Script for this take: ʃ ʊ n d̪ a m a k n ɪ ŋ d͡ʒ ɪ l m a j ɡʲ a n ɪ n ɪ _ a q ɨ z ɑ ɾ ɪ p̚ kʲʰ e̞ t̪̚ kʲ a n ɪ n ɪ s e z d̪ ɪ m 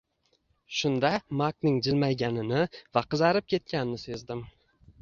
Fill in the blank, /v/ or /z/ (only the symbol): v